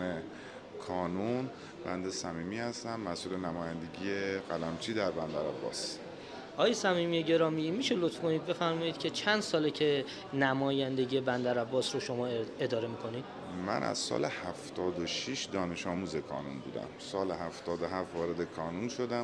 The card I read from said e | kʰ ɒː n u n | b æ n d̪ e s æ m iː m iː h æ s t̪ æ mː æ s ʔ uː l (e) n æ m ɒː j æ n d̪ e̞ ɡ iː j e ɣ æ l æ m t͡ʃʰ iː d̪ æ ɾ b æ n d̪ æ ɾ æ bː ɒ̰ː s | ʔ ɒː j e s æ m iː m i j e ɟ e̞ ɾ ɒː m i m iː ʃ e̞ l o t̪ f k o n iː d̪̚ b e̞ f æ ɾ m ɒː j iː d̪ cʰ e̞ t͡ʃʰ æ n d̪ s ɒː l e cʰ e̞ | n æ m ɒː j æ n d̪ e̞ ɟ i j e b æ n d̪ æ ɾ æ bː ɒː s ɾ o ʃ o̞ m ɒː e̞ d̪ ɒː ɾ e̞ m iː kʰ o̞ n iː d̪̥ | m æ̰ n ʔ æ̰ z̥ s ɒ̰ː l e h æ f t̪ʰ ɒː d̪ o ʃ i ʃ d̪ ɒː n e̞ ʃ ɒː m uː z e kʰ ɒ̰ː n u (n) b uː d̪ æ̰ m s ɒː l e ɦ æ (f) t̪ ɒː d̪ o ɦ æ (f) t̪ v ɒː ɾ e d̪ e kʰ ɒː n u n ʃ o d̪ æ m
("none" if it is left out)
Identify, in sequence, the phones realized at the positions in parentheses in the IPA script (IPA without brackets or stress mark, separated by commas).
e, n, f, f